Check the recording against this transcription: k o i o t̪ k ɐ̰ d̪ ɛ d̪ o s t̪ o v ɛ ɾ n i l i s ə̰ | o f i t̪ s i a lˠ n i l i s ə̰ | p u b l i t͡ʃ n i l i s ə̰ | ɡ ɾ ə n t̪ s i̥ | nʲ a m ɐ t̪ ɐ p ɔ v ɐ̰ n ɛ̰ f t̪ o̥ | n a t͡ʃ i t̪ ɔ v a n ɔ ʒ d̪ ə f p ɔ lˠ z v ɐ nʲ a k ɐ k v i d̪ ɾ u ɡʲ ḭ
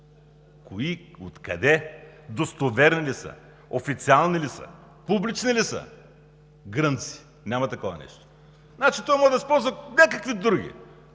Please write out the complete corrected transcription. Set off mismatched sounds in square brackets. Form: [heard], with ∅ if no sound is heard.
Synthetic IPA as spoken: k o i o t̪ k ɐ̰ d̪ ɛ d̪ o s t̪ o v ɛ ɾ n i l i s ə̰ | o f i t̪ s i a lˠ n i l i s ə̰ | p u b l i t͡ʃ n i l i s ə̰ | ɡ ɾ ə n t̪ s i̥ | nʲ a m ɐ t̪ ɐ [k] ɔ v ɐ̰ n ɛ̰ [ʃ] t̪ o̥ | n a t͡ʃ i t̪ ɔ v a [m] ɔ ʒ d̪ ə [s] p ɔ lˠ z v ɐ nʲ a k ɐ k v i d̪ ɾ u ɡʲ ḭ